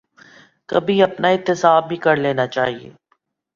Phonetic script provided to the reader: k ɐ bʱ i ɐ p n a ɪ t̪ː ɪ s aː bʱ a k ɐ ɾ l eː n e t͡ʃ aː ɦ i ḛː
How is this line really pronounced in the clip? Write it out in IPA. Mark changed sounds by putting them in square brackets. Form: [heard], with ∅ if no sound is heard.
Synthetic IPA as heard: k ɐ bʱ i ɐ p n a ɪ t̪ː ɪ s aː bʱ [i] k ɐ ɾ l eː n [a] t͡ʃ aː ɦ i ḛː

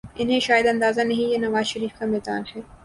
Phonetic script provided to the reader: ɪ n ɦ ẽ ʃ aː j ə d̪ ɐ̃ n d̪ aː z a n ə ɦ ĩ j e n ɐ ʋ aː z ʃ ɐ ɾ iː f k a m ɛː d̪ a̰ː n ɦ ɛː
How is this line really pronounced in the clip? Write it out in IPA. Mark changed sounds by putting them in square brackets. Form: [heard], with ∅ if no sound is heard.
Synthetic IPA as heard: ɪ n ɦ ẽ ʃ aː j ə d̪ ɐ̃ n d̪ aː z a n [ɐ] ɦ ĩ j e n ɐ ʋ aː z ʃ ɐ ɾ iː f k a m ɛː d̪ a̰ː n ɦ ɛː

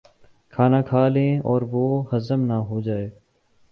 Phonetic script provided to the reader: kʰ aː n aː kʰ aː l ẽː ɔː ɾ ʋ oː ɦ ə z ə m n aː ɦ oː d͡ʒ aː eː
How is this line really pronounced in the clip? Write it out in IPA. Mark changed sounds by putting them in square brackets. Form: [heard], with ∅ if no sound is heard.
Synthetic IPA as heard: kʰ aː n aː kʰ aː l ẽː ɔː ɾ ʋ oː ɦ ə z ə m n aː ɦ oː d͡ʒ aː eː

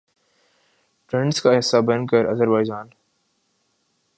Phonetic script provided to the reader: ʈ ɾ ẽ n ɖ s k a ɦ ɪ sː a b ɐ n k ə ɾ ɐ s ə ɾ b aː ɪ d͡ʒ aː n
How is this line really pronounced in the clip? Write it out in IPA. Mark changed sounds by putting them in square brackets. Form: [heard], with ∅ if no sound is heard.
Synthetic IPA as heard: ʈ ɾ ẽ [ɳ] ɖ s k a ɦ ɪ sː a b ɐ n k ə ɾ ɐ [z] ə ɾ b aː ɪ d͡ʒ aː n

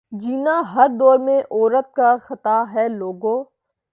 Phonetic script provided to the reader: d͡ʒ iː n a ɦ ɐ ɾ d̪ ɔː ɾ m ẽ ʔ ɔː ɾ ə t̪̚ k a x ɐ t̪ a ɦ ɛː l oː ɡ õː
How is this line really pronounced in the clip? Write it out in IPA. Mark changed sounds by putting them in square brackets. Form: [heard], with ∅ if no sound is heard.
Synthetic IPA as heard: d͡ʒ iː n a ɦ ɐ ɾ d̪ ɔː ɾ m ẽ ʔ ɔː ɾ ə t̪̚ k a x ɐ t̪ a ɦ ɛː l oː ɡ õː

